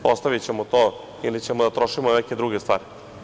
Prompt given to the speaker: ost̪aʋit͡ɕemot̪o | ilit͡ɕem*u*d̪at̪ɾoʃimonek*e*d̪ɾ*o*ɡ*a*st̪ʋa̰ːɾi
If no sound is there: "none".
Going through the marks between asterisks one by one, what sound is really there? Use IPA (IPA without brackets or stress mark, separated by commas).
o, e, u, e